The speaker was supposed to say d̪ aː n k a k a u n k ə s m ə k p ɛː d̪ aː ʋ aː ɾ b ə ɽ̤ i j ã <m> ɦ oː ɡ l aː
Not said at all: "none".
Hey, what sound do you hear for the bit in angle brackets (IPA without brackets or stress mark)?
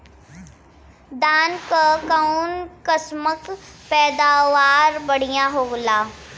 none